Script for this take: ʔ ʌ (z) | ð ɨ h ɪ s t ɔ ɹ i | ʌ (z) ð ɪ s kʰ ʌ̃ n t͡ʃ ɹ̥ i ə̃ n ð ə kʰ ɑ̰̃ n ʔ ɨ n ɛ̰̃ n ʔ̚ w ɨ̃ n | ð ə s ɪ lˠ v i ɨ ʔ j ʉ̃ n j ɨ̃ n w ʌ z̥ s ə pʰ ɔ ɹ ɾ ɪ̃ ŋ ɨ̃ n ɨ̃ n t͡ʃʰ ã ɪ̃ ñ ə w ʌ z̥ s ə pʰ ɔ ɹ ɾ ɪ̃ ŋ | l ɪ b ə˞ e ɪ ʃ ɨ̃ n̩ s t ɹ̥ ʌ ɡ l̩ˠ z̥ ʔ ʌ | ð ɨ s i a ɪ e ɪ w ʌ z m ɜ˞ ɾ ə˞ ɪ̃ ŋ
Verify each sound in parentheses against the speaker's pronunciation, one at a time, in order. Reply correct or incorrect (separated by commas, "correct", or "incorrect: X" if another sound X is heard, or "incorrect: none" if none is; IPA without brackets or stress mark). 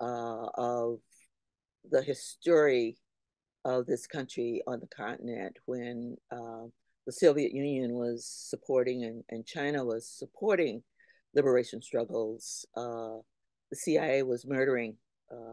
incorrect: v, incorrect: v